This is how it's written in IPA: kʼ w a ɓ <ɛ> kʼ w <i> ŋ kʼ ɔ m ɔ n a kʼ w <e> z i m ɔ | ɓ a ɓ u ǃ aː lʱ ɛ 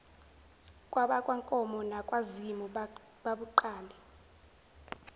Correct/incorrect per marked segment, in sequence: incorrect: a, incorrect: a, incorrect: a

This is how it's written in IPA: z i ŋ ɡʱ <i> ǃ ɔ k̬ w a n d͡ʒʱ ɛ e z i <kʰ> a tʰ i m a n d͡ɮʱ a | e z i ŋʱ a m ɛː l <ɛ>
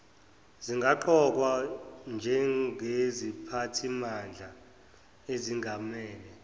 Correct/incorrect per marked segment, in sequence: incorrect: a, incorrect: pʰ, correct

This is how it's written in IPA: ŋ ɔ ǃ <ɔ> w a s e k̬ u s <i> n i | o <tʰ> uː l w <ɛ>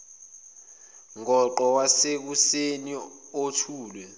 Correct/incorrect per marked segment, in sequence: correct, incorrect: e, correct, correct

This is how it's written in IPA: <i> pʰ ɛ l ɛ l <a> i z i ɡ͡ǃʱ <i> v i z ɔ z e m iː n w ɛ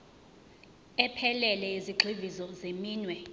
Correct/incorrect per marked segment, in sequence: incorrect: ɛ, incorrect: ɛ, correct

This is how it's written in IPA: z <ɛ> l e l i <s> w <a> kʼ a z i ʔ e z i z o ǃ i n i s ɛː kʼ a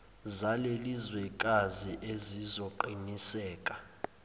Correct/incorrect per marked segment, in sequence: incorrect: a, incorrect: z, incorrect: ɛ

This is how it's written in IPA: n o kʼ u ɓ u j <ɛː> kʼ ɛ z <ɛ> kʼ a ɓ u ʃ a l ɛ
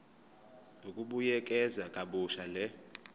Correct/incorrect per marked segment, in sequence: incorrect: ɛ, incorrect: a

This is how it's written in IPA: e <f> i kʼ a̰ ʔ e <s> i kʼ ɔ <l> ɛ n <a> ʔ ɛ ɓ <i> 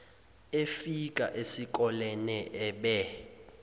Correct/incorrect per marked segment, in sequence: correct, correct, correct, incorrect: ɛ, incorrect: ɛ

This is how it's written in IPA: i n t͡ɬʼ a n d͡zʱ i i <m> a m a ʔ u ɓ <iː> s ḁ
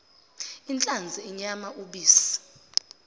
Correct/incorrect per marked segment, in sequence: incorrect: ɲ, correct

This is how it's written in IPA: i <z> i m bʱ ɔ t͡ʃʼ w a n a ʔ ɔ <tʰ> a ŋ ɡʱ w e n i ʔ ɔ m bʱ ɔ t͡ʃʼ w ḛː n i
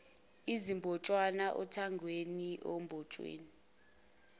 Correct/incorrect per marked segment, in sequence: correct, correct

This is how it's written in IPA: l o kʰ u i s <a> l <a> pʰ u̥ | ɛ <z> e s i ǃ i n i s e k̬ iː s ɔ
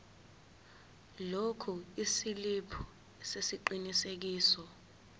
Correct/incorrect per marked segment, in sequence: incorrect: i, incorrect: i, incorrect: s

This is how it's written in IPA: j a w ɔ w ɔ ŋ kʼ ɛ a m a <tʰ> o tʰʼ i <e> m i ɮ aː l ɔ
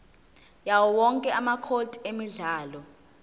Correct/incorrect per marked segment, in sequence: incorrect: kʰ, correct

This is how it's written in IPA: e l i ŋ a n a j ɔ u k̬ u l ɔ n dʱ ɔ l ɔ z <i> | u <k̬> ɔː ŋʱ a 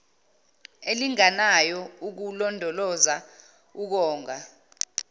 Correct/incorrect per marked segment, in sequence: incorrect: a, correct

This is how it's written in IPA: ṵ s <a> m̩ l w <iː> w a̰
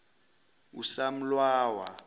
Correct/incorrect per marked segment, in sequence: correct, incorrect: aː

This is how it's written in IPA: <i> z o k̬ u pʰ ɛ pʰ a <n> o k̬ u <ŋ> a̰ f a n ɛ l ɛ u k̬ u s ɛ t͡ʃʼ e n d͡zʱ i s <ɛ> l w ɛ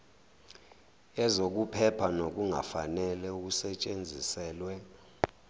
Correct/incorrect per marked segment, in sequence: incorrect: ɛ, correct, correct, incorrect: ɛː

